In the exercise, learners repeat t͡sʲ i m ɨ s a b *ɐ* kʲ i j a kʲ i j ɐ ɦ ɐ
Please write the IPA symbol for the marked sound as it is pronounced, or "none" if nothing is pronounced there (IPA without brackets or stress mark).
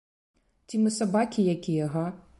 a